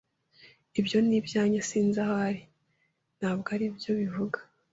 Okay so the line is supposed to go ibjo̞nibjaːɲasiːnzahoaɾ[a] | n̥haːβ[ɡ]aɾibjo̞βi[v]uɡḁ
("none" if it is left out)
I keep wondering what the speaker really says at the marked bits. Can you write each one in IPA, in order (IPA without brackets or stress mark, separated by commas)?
i, ɡ, v